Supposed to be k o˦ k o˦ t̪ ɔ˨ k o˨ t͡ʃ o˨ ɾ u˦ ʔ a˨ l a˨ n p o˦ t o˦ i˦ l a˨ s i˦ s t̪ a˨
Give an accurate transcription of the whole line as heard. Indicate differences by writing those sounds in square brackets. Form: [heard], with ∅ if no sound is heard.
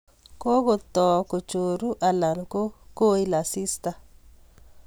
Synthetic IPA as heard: k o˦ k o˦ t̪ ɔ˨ k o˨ t͡ʃ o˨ ɾ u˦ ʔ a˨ l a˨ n [k] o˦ [k] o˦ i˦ l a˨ s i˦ s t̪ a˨